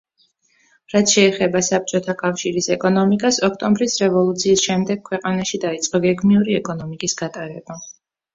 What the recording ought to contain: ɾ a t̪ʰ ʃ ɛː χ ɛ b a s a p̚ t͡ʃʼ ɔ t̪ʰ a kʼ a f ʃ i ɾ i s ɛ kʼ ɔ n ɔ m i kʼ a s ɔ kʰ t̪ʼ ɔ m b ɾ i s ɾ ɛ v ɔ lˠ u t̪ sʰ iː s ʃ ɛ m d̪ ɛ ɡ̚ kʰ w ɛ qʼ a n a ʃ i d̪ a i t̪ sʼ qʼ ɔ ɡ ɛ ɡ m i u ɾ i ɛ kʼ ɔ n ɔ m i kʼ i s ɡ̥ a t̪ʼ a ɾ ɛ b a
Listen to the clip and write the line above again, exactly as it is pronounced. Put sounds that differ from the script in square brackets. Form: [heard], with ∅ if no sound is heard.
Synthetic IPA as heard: ɾ a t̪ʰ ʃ ɛː χ ɛ b a s a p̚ t͡ʃʼ ɔ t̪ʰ a kʼ a f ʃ i ɾ i s ɛ kʼ ɔ n ɔ m i kʼ a s ɔ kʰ t̪ʼ ɔ m b ɾ i s ɾ ɛ v ɔ lˠ u t̪ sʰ iː s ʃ ɛ m d̪ ɛ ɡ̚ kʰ w ɛ qʼ a n a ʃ i d̪ a i t̪ sʼ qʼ ɔ ɡ ɛ ɡ m i u ɾ i ɛ kʼ ɔ n ɔ m i kʼ i s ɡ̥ a t̪ʼ a ɾ ɛ b a